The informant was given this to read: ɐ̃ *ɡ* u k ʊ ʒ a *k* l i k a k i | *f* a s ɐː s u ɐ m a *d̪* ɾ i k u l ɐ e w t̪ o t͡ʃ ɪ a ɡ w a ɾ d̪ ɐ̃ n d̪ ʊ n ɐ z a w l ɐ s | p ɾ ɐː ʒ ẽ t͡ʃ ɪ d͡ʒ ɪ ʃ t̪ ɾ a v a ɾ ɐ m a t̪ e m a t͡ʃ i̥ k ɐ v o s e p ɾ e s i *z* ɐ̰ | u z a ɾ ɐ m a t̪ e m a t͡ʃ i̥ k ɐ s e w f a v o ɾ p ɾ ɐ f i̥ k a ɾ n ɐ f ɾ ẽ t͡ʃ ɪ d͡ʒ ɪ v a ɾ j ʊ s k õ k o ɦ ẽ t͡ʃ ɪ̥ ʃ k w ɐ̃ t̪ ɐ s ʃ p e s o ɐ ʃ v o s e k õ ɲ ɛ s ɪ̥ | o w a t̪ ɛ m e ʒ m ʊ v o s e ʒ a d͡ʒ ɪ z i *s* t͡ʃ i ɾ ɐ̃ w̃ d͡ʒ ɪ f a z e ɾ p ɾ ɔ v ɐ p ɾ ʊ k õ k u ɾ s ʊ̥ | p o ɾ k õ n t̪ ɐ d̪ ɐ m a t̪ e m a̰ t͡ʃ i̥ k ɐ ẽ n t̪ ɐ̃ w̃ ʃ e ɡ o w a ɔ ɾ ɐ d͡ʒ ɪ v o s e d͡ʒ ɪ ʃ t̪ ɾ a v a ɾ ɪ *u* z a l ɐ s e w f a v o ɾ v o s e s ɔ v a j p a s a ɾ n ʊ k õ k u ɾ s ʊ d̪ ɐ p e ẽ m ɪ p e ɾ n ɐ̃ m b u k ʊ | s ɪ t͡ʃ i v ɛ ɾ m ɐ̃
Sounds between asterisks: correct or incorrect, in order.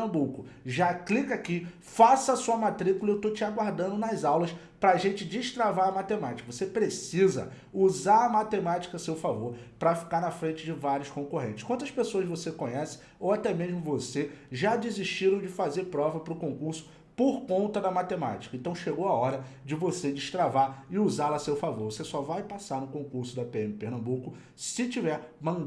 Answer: incorrect, correct, correct, incorrect, correct, incorrect, correct

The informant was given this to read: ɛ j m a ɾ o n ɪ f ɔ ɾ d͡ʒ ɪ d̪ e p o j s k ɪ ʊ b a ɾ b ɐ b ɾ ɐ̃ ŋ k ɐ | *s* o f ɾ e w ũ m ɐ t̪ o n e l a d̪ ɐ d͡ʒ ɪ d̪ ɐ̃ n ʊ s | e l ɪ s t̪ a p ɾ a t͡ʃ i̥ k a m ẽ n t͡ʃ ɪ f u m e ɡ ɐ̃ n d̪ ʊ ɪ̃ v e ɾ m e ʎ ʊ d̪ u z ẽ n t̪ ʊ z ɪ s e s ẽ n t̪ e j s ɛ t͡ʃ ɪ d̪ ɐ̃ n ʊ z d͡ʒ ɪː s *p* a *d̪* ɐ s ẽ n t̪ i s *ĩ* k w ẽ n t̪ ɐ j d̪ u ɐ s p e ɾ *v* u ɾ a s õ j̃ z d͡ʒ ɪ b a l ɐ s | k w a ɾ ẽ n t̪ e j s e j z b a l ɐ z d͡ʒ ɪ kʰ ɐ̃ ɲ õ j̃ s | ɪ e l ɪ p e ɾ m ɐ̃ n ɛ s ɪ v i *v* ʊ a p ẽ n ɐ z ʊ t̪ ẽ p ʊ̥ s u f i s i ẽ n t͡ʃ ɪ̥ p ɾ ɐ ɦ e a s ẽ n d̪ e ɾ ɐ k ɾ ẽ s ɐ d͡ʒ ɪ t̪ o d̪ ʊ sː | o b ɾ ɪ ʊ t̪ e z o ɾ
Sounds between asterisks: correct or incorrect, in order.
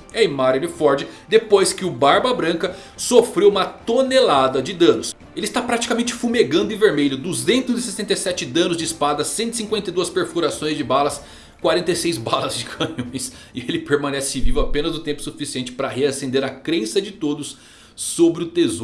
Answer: correct, correct, correct, correct, incorrect, correct

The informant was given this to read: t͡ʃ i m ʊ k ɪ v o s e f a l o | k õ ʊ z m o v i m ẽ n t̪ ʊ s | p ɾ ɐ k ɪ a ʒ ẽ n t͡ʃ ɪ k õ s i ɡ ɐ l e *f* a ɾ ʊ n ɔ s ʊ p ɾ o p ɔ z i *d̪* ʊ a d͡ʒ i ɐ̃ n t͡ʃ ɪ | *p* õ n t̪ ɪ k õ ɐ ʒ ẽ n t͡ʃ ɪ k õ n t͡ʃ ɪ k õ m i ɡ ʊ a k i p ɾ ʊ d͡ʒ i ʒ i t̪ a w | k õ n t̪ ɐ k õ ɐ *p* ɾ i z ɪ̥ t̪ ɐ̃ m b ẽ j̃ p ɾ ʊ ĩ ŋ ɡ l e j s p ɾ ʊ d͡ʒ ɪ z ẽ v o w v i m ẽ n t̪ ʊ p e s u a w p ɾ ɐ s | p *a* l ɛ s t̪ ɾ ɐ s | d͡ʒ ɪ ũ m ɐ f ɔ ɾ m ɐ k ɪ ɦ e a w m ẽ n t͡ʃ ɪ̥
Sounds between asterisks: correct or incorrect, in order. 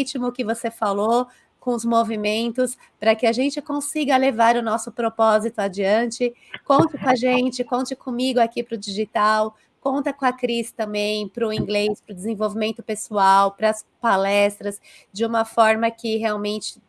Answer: incorrect, incorrect, incorrect, incorrect, correct

